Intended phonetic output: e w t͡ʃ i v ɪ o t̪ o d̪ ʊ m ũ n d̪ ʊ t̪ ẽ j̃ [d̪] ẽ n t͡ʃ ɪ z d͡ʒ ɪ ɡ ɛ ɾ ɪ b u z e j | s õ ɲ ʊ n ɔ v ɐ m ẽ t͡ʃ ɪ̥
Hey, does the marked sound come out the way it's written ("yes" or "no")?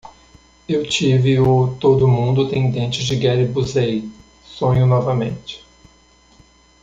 yes